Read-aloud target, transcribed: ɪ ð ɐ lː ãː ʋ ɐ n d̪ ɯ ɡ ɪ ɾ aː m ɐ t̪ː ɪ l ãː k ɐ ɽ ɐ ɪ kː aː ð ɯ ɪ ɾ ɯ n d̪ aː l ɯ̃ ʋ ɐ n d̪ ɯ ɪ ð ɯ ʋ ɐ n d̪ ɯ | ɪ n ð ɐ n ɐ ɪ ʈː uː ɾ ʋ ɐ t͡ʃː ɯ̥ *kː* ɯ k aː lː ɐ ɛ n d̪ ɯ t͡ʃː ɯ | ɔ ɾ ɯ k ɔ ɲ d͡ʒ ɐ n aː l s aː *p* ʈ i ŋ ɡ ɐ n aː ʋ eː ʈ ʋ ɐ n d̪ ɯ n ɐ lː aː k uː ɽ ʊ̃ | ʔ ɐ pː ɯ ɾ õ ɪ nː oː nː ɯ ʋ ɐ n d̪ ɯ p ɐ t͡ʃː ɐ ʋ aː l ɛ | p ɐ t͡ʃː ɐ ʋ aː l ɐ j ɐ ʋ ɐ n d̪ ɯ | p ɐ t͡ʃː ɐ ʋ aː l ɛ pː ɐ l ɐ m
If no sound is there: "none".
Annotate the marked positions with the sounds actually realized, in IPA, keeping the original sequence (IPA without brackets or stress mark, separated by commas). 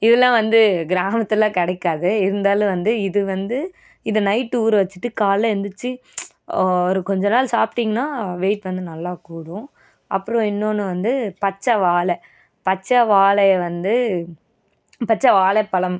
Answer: ʈː, p